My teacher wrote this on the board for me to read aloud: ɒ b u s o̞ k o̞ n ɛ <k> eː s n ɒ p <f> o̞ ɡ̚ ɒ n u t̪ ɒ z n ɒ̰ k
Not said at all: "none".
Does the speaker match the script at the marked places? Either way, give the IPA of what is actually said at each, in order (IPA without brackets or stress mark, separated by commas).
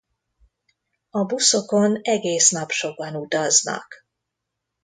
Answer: ɡ, ʃ